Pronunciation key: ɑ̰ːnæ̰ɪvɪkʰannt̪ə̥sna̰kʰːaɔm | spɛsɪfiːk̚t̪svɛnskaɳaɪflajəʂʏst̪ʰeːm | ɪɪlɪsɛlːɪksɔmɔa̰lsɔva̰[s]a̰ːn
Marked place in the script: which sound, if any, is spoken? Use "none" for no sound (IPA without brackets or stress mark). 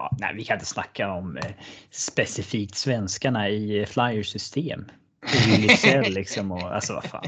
f